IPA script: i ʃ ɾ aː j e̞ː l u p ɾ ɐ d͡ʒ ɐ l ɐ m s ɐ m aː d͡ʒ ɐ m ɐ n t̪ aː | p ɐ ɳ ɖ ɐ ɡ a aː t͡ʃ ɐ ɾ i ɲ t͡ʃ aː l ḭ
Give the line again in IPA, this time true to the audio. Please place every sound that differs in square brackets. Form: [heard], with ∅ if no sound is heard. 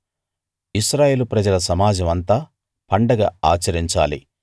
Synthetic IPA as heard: i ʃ ɾ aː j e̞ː l u p ɾ ɐ d͡ʒ ɐ l ɐ [∅] s ɐ m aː d͡ʒ ɐ m ɐ n t̪ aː | p ɐ ɳ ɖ ɐ ɡ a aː t͡ʃ ɐ ɾ i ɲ t͡ʃ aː l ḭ